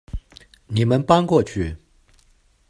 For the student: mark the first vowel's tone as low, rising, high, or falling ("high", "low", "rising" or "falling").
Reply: low